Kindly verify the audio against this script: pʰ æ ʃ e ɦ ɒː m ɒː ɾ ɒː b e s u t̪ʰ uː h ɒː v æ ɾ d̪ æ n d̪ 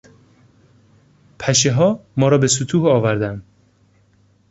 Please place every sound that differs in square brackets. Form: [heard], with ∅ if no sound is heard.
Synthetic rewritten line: pʰ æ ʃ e ɦ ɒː m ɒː ɾ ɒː b e s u t̪ʰ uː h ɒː v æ ɾ d̪ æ n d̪